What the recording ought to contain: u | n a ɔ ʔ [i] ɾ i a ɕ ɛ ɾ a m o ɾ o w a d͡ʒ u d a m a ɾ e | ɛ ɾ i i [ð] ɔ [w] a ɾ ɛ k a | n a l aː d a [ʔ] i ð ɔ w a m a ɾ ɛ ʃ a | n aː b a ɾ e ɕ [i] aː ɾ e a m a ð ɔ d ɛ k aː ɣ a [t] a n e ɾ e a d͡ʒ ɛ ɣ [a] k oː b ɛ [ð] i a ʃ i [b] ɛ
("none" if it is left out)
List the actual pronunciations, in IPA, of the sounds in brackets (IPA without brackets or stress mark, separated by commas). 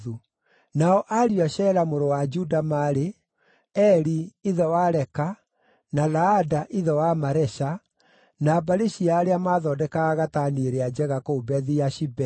a, ð, w, ʔ, i, t, a, ð, b